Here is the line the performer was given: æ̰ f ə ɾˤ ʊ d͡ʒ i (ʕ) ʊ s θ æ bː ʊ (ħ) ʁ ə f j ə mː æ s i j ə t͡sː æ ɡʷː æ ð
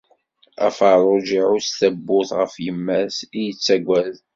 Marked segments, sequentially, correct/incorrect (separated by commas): correct, incorrect